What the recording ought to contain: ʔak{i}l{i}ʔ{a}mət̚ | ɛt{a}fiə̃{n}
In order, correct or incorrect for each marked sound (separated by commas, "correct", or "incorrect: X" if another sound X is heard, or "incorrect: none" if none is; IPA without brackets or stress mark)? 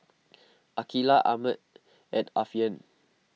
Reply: correct, incorrect: a, correct, correct, correct